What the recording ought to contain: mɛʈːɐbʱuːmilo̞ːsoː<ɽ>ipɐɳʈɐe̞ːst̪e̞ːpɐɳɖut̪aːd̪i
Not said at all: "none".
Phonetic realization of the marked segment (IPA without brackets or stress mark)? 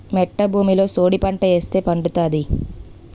ɽ